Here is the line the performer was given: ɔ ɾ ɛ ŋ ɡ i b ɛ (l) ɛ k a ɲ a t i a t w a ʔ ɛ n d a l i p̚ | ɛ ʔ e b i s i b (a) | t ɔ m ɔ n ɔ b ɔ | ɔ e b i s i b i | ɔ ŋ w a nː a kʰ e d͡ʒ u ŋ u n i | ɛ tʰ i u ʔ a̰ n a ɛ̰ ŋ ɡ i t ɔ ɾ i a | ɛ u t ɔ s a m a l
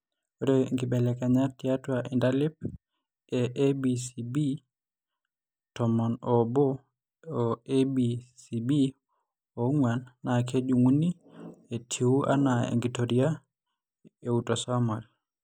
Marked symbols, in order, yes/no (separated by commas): yes, no